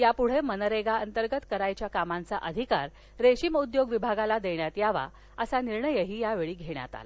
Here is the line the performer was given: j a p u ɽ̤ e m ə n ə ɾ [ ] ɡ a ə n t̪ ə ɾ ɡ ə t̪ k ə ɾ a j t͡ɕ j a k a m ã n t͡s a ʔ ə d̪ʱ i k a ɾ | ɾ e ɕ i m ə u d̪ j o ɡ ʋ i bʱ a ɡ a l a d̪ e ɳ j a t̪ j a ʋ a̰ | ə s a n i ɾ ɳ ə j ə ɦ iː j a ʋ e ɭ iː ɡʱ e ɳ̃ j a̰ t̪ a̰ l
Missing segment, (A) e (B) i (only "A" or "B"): A